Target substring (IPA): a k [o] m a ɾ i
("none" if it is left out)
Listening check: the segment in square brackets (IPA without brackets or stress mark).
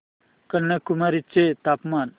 u